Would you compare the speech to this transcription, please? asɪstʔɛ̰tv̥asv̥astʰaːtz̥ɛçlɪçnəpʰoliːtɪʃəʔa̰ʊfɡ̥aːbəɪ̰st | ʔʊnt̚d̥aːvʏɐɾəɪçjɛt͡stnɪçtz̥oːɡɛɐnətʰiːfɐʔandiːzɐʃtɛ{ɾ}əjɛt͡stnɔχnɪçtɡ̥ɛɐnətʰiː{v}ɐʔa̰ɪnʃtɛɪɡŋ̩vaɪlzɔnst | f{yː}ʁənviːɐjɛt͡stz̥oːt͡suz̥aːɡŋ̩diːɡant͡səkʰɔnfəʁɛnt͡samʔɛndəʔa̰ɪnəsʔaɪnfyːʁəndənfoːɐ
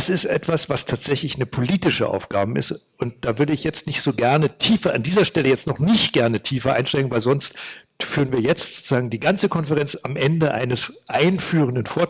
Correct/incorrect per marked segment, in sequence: incorrect: l, incorrect: f, correct

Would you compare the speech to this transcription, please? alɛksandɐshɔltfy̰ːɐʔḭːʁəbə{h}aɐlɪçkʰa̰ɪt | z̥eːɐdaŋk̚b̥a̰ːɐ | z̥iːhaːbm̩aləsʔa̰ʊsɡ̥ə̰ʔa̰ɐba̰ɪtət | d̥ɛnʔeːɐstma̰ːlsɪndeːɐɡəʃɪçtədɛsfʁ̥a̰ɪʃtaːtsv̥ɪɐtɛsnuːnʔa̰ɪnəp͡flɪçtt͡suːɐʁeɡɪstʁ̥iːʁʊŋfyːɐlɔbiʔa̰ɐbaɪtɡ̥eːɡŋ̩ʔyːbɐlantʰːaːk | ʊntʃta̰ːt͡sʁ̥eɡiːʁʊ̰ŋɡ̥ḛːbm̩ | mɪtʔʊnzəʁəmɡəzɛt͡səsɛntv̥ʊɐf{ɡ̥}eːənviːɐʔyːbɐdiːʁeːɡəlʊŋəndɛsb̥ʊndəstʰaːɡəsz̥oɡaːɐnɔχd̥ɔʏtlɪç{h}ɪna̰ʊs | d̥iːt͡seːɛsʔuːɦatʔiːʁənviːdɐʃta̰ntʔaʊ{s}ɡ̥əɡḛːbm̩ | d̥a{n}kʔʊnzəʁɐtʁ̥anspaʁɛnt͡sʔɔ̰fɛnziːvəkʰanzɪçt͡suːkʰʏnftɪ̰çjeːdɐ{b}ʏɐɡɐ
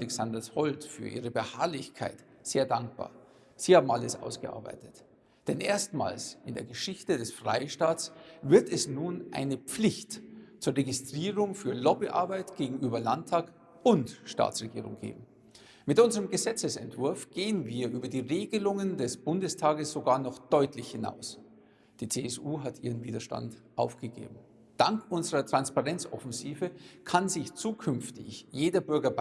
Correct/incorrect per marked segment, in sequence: correct, correct, correct, incorrect: f, incorrect: ŋ, correct

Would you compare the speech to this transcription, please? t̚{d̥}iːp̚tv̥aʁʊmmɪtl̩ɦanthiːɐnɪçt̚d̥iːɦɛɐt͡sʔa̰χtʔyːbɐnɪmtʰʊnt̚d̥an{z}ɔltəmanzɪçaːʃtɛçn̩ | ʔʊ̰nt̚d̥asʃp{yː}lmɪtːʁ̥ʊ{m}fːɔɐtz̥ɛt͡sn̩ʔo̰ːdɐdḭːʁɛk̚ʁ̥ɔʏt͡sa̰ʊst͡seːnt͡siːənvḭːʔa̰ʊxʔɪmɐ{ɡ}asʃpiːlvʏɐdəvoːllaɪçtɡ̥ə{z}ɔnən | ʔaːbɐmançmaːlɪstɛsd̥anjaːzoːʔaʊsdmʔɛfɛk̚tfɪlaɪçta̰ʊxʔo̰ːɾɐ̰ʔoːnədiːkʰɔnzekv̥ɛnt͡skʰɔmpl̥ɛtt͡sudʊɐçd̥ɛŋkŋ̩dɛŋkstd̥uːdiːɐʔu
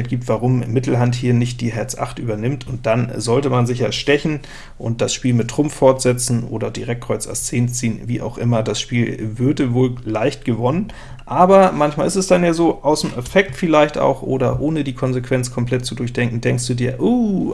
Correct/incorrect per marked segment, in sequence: incorrect: ɡ̥, correct, incorrect: iː, correct, incorrect: d, incorrect: v

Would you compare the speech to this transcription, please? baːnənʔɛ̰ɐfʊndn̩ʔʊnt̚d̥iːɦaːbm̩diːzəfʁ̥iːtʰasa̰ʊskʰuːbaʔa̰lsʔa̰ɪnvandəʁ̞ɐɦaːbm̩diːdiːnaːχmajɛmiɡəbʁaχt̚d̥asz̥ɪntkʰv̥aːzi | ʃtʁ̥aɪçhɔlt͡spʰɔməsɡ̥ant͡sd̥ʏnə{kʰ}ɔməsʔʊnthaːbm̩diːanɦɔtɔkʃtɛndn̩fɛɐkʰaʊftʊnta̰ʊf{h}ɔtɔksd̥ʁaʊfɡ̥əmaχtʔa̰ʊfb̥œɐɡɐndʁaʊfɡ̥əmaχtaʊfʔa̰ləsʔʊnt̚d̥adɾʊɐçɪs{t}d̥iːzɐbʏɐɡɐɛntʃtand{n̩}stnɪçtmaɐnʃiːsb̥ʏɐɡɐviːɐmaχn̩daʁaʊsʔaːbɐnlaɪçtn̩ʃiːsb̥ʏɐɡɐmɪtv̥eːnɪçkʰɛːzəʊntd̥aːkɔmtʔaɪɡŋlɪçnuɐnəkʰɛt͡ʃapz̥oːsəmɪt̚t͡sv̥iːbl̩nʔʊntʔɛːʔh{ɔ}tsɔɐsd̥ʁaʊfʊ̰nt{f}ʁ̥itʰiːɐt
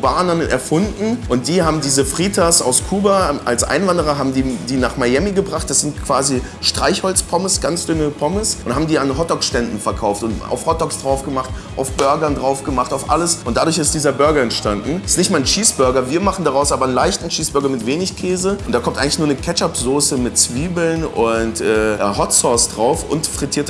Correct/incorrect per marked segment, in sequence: incorrect: pʰ, correct, correct, correct, correct, correct

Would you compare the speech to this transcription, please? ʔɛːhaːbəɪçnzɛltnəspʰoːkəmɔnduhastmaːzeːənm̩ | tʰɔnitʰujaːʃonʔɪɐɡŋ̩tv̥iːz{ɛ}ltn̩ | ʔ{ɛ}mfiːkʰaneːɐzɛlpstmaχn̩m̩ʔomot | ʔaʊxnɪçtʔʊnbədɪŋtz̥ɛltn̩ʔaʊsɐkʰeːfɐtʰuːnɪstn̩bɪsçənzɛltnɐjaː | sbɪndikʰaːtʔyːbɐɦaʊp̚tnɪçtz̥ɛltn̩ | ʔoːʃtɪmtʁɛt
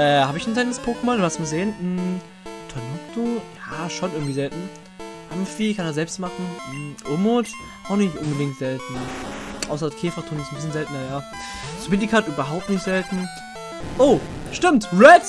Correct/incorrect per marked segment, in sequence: correct, incorrect: a

